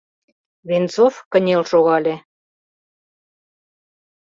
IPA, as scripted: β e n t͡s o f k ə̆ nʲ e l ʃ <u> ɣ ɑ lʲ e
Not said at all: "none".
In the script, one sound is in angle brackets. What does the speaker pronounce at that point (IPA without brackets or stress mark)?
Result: o